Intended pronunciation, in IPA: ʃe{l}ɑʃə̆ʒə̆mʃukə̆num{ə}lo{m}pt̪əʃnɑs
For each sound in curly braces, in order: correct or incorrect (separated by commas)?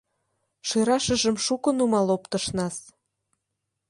incorrect, incorrect, incorrect